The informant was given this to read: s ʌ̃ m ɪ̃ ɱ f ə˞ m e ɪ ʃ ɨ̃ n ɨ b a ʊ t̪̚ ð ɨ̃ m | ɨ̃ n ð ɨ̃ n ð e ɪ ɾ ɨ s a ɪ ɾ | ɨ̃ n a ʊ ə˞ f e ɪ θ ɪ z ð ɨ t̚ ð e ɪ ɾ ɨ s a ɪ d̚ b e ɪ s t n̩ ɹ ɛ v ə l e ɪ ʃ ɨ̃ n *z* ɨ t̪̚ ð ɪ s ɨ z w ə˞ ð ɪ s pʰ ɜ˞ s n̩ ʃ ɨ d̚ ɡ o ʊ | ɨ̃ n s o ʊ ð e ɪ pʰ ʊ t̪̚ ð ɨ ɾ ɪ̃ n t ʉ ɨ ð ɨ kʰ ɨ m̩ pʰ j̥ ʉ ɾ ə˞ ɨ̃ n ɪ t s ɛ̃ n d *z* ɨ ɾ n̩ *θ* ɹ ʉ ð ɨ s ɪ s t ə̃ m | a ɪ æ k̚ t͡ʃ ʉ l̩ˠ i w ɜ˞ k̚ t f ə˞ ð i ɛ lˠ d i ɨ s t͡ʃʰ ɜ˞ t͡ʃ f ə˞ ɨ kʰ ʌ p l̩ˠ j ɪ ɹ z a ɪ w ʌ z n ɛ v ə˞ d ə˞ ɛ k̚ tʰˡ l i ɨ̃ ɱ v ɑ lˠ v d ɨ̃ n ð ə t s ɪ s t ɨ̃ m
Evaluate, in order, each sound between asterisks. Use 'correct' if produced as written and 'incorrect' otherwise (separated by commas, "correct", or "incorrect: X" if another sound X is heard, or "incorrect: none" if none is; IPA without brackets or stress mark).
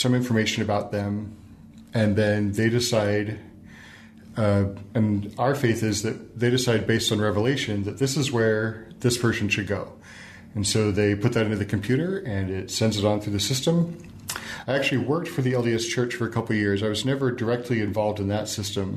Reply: incorrect: ð, correct, correct